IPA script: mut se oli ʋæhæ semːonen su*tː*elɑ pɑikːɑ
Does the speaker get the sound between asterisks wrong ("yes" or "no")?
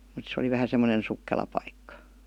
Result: yes